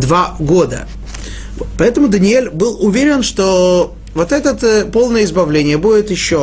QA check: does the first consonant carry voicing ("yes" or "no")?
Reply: yes